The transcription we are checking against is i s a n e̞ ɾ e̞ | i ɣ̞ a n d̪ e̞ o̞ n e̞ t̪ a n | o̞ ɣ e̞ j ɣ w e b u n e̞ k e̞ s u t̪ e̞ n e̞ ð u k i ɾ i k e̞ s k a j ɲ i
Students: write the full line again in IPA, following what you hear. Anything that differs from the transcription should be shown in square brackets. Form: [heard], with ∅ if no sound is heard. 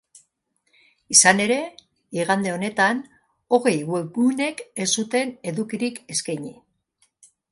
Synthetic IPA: i s a n e̞ ɾ e̞ | i ɣ̞ a n d̪ e̞ o̞ n e̞ t̪ a n | o̞ ɣ e̞ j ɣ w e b u n e̞ k e̞ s u t̪ e̞ n e̞ ð u k i ɾ i k e̞ s k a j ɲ i